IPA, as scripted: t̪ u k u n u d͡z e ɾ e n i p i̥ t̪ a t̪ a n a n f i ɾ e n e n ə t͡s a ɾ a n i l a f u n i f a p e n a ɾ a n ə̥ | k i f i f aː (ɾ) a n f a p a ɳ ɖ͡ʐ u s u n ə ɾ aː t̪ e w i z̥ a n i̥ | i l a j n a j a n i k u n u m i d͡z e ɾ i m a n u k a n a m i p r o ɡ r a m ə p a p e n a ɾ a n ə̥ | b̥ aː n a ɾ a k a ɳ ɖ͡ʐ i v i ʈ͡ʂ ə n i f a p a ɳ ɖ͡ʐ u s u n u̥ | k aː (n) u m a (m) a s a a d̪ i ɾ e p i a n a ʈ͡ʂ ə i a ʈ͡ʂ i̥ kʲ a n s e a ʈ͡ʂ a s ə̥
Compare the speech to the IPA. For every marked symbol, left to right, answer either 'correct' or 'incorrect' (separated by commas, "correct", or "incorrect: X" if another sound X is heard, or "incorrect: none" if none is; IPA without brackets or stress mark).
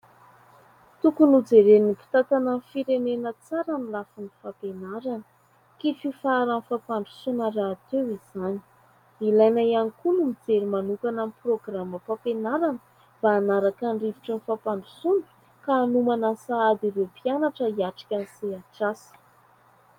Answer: correct, correct, incorrect: n